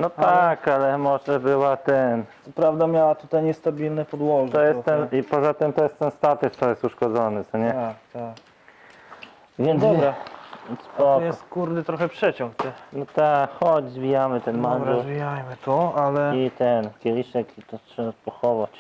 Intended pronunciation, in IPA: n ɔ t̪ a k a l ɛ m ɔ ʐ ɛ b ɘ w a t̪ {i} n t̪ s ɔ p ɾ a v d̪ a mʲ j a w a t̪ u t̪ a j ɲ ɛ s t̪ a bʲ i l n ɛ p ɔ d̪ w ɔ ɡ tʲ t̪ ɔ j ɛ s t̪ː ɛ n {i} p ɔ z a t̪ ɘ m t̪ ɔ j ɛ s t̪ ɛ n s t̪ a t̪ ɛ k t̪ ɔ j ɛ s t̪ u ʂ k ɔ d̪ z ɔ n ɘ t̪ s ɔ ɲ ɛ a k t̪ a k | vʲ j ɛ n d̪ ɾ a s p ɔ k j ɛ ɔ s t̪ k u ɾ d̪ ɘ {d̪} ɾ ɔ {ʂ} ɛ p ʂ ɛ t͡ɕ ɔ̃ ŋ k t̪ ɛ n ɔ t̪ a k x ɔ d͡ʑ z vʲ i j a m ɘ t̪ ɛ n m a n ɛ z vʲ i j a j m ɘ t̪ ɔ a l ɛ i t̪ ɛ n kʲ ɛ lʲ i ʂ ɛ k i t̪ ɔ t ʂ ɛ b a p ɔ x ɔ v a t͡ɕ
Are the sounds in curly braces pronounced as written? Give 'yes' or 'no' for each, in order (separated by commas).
no, yes, no, no